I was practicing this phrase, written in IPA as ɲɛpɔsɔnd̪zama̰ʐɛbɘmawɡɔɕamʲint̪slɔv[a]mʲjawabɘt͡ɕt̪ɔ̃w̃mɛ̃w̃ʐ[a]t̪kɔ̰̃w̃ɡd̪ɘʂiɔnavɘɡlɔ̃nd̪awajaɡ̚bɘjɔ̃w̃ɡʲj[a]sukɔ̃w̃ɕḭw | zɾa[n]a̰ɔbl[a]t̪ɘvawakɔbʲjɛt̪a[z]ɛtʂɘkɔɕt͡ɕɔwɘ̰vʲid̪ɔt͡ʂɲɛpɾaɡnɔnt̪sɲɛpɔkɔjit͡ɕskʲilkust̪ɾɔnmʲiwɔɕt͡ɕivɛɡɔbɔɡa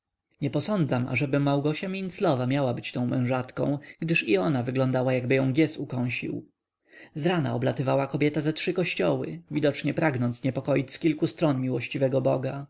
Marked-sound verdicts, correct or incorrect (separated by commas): correct, correct, incorrect, correct, correct, correct